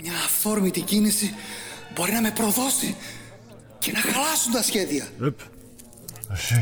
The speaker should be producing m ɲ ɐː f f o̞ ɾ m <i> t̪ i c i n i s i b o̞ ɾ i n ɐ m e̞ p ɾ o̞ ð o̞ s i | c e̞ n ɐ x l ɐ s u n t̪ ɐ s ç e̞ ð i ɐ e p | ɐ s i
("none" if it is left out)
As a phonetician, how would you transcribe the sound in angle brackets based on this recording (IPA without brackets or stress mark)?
i